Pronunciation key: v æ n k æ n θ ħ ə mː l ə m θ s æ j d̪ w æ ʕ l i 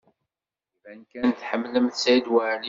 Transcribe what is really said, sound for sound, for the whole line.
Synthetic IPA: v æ n k æ n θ ħ ə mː l ə m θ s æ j d̪ w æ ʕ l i